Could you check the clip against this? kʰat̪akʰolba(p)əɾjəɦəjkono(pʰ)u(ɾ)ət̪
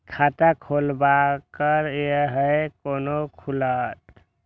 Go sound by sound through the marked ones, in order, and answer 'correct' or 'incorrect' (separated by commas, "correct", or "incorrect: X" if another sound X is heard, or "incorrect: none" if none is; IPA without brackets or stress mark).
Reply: incorrect: k, incorrect: kʰ, incorrect: l